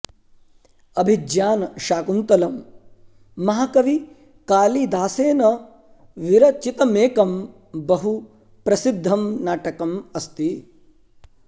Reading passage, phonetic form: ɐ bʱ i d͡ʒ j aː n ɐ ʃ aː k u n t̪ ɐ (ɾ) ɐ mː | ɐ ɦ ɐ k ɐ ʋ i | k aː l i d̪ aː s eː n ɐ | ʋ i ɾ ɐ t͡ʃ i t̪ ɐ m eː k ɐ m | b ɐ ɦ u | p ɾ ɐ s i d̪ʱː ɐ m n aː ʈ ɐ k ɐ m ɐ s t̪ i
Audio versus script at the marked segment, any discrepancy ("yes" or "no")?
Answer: yes